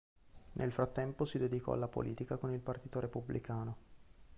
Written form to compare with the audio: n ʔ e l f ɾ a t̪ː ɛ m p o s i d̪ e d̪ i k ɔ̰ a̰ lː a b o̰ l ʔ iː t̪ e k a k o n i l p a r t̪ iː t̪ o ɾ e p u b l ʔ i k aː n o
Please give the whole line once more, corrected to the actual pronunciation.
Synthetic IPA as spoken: n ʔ e l f ɾ a t̪ː ɛ m p o s i d̪ e d̪ i k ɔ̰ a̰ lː a p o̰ l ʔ iː t̪ i k a k o n i l p a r t̪ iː t̪ o ɾ e p u b l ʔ i k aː n o